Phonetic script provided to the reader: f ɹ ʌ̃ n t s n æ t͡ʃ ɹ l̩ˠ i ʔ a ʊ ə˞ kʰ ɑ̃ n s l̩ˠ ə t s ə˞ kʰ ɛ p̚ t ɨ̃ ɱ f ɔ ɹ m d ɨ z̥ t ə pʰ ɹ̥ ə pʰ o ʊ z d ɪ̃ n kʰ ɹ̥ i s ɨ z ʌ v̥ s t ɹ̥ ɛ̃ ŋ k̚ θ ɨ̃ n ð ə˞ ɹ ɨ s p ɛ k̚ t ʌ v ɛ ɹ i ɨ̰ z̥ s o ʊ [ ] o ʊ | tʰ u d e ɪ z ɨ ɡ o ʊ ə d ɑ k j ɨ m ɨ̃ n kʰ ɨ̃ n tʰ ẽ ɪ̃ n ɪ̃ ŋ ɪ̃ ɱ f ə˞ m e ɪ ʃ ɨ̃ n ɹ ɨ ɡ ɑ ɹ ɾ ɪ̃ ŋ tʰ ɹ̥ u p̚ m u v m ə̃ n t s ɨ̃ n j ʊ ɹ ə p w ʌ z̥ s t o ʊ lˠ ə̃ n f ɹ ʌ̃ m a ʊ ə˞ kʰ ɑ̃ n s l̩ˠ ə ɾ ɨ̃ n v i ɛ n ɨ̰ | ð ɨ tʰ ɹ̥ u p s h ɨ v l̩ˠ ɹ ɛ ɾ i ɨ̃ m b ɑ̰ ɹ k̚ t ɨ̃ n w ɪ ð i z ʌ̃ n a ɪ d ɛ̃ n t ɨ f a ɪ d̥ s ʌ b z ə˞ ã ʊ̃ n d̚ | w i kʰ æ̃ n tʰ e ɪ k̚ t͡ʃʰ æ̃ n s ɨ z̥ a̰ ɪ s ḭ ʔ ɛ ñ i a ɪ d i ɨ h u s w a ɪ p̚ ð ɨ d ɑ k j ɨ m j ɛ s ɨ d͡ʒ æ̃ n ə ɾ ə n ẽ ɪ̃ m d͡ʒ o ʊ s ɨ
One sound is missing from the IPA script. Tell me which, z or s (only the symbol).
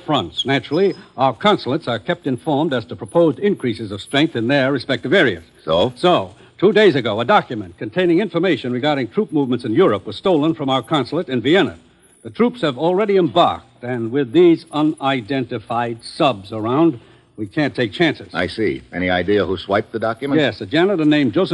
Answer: s